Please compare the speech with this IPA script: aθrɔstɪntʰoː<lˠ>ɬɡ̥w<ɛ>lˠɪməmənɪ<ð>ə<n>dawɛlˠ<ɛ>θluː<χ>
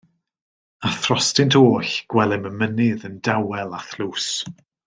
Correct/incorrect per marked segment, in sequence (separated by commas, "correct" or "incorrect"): incorrect, correct, correct, correct, incorrect, incorrect